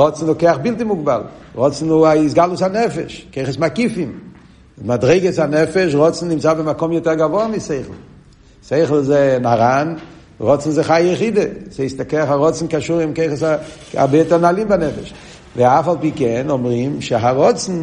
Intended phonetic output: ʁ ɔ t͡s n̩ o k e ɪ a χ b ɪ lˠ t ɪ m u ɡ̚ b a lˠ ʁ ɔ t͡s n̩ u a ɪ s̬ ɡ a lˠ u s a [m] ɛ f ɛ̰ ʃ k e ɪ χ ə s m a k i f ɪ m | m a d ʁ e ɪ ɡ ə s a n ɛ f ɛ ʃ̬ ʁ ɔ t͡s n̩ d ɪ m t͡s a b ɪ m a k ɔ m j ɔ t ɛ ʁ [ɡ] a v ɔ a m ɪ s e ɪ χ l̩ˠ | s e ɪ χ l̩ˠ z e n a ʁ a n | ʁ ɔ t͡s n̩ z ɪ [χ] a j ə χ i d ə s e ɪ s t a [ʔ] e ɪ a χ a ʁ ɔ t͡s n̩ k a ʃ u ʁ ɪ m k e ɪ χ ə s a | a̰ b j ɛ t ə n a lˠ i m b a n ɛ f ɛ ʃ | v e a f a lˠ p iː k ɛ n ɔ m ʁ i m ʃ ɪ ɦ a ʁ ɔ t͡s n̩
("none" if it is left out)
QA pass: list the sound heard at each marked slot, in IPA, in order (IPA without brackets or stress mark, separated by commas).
n, ɡ, χ, k